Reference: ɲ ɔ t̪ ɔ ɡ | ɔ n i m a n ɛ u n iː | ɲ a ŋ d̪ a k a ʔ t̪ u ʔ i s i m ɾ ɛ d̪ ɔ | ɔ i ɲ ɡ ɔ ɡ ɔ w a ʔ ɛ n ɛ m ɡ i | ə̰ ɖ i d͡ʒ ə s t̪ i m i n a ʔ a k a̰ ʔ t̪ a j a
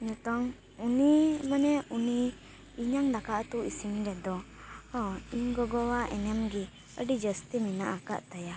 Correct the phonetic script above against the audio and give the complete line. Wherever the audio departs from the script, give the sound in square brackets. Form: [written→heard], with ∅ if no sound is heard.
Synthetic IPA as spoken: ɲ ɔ t̪ ɔ [ɡ→ŋ] | [ɔ→u] n i m a n ɛ u n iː | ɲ a ŋ d̪ a k a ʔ t̪ u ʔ i s i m ɾ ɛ d̪ ɔ | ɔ i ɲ ɡ ɔ ɡ ɔ w a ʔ ɛ n ɛ m ɡ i | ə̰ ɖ i d͡ʒ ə s t̪ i m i n a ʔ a k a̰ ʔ t̪ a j a